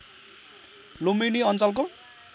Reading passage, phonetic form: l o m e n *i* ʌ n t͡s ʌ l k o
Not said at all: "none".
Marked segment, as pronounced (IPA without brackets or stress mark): i